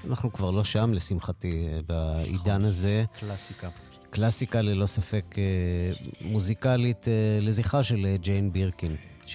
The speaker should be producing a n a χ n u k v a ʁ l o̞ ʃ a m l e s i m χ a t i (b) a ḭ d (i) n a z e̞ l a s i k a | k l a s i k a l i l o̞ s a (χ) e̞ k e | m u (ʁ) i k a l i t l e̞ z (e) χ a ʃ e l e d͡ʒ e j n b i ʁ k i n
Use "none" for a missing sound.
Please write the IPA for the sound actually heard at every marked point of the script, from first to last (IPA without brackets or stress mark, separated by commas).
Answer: b, a, f, z, i